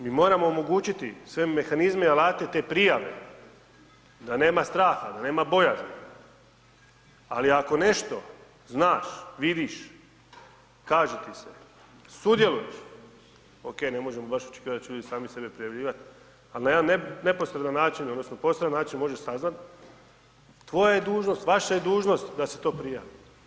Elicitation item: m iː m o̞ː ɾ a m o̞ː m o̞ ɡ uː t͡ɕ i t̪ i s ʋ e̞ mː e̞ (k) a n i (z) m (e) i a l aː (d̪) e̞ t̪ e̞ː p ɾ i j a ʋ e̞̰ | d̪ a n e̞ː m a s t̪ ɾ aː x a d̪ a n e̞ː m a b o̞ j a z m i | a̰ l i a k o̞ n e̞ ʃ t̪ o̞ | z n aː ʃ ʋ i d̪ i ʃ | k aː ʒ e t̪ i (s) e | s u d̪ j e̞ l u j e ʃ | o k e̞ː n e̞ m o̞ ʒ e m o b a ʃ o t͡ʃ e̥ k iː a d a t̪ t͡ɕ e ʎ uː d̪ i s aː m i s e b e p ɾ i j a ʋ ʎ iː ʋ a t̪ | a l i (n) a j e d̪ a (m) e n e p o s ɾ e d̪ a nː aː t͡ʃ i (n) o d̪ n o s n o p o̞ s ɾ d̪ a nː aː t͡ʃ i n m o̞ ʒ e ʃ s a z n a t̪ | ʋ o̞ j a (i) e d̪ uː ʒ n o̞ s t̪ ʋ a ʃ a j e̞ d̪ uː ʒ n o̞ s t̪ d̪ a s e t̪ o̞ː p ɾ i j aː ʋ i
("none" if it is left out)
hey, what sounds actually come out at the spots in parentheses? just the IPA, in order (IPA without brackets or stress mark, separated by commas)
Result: x, z, e, t̪, s, n, n, n, j